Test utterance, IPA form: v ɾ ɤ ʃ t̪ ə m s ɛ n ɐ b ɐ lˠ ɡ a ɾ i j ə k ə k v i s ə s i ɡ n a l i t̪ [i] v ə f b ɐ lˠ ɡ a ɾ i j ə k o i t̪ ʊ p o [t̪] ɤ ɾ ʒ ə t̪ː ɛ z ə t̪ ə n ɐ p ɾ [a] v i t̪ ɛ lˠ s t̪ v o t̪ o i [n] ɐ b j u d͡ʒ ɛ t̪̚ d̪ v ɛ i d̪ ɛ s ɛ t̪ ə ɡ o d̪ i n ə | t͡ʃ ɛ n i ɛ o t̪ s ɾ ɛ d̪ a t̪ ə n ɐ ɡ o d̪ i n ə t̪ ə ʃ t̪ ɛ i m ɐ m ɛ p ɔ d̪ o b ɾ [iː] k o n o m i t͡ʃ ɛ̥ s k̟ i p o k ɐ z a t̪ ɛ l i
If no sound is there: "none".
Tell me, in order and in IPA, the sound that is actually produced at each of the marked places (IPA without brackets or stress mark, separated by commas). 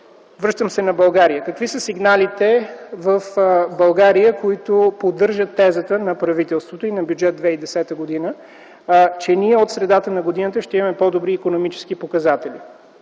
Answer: ɛ, d̪, ɐ, n, iː